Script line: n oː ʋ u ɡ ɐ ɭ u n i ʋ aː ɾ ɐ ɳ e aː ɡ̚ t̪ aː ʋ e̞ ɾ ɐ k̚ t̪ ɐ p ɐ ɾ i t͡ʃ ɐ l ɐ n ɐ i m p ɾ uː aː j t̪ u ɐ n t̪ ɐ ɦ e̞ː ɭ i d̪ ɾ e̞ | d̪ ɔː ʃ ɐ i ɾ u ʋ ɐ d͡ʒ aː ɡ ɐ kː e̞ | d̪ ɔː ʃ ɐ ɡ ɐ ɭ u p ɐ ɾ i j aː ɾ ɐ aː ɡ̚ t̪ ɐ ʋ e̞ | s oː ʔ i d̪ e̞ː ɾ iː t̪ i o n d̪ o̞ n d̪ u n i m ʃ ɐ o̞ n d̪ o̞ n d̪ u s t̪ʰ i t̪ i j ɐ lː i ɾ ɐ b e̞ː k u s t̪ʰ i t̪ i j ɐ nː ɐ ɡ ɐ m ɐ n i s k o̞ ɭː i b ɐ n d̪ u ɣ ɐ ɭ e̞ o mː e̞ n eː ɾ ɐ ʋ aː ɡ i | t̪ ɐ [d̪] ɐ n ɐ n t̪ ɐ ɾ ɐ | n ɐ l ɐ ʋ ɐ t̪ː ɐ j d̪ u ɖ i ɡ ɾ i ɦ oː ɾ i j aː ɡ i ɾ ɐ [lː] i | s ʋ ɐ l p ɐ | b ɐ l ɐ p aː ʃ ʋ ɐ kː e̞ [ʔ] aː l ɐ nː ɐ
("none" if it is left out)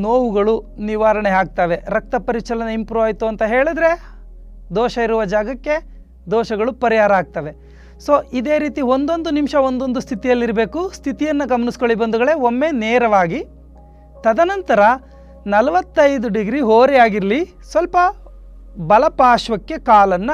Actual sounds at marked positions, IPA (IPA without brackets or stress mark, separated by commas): d̪, l, k